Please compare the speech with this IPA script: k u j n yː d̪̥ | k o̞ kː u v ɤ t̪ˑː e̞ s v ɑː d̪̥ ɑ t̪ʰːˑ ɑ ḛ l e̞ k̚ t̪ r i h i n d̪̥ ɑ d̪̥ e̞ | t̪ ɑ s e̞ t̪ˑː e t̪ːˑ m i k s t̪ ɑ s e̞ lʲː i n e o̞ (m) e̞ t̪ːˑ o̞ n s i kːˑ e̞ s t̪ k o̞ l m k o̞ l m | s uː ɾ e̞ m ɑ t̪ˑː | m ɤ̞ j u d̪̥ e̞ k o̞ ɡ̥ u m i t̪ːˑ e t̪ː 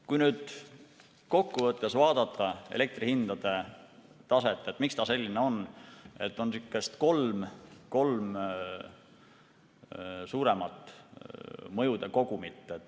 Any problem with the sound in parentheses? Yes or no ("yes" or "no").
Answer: yes